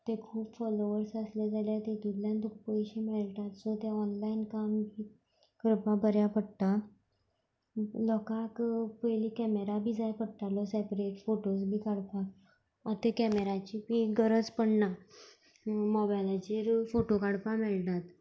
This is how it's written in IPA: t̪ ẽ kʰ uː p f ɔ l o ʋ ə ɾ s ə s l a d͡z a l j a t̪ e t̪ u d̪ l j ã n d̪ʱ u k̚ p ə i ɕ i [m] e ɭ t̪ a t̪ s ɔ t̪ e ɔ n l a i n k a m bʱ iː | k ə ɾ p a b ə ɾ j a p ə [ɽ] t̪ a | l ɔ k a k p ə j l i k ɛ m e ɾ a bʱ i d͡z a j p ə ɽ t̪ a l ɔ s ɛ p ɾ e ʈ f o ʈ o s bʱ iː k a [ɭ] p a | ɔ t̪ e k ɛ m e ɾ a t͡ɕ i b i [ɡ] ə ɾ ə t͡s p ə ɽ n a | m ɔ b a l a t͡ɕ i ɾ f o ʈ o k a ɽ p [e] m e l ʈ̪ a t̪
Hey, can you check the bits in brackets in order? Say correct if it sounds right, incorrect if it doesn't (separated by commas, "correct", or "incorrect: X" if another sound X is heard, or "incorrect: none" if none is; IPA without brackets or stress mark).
correct, correct, incorrect: ɽ, correct, incorrect: a